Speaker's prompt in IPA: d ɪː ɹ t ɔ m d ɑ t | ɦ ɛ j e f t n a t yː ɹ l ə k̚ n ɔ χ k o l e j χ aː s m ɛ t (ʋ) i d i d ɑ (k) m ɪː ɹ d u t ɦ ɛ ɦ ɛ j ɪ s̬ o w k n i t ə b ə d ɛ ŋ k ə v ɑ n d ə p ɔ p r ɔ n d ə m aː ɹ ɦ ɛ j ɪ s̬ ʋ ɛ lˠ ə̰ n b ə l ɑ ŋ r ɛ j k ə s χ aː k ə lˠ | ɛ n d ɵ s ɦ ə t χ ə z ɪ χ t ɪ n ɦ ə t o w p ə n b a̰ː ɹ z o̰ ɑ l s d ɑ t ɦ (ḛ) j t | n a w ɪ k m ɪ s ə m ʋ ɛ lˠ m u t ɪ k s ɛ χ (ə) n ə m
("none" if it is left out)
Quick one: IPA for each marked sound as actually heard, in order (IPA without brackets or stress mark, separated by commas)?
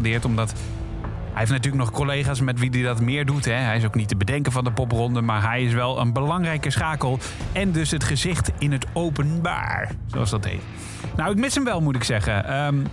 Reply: ʋ, t, ḛ, ə